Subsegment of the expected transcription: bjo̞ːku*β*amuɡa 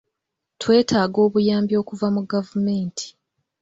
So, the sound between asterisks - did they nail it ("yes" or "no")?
no